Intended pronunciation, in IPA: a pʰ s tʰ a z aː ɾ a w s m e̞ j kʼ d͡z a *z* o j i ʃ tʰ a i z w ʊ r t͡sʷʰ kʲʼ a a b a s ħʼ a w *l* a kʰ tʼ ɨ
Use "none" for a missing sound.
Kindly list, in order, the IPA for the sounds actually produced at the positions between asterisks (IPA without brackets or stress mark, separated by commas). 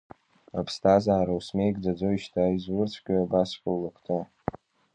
d͡z, l